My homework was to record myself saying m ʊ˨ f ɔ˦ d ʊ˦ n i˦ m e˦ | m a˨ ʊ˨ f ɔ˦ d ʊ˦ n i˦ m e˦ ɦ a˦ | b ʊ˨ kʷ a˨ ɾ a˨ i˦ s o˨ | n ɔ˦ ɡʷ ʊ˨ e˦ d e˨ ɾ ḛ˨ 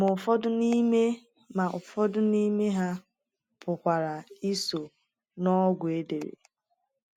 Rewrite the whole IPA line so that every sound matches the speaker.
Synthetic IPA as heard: m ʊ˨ f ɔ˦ d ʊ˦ n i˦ m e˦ | m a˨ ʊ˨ f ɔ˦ d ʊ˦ n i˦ m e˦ ɦ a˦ | p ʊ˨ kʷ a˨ ɾ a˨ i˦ s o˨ | n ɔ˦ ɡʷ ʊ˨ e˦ d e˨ ɾ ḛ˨